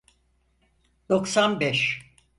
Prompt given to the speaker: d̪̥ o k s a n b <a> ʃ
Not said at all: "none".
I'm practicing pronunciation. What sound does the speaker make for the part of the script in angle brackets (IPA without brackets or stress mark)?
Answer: ɛ